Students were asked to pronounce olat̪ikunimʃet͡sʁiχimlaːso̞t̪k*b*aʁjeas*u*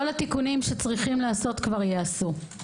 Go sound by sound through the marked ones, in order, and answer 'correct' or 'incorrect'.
incorrect, correct

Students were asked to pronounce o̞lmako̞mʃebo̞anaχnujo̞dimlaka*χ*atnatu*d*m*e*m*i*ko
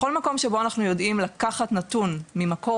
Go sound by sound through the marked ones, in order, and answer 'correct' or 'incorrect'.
correct, incorrect, incorrect, incorrect

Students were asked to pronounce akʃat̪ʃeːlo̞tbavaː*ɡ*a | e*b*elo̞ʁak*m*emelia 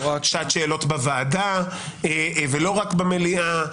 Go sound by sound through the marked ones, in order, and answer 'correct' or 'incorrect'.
incorrect, incorrect, incorrect

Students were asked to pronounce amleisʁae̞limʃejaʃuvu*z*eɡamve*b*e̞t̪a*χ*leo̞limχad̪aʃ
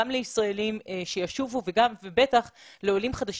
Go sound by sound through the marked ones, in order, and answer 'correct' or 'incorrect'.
incorrect, correct, correct

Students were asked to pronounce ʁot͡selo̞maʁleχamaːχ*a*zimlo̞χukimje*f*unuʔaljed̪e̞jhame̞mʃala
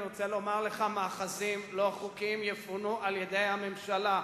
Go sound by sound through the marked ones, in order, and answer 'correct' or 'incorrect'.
correct, correct

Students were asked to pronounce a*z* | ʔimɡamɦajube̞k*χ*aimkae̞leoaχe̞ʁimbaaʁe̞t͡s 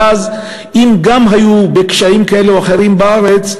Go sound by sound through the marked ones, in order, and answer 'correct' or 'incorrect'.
correct, incorrect

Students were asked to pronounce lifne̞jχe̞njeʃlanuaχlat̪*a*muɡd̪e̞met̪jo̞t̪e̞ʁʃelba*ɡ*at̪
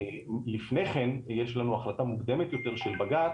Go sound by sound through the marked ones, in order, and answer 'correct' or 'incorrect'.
correct, correct

